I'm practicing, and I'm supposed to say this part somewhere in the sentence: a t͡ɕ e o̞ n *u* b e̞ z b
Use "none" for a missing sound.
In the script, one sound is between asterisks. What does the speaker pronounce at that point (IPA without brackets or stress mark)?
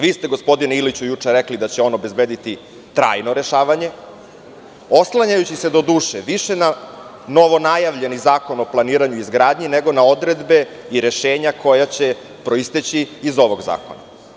o